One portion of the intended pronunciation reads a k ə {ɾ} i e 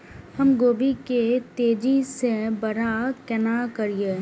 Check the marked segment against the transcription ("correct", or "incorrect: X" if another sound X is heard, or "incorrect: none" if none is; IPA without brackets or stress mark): correct